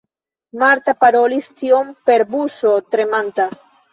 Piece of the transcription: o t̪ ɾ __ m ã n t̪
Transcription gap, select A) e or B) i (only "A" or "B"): A